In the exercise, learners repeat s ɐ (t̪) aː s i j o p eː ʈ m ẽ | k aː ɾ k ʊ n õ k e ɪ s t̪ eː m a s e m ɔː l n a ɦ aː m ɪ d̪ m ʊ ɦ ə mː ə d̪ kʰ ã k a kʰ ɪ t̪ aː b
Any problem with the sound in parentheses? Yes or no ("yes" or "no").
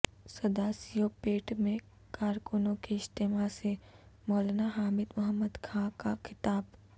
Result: yes